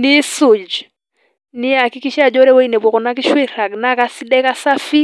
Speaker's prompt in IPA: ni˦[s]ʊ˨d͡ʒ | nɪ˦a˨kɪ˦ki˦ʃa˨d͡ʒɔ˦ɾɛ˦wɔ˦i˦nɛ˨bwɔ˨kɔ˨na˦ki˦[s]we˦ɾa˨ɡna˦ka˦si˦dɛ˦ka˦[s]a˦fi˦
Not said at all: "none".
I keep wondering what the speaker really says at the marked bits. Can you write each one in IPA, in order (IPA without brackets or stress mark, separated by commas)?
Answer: s, ʃ, s